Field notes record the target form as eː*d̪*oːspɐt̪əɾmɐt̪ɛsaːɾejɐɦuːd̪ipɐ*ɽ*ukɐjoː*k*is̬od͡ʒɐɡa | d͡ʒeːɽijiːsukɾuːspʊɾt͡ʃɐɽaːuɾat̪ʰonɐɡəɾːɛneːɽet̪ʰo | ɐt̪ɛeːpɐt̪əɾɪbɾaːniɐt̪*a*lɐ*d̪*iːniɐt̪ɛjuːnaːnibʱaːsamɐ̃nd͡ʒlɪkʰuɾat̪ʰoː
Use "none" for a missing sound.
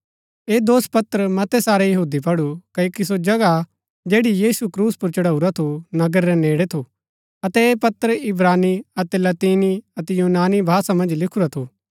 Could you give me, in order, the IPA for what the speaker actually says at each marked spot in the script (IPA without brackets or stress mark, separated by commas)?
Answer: d̪, ɽ, k, ɛ, t̪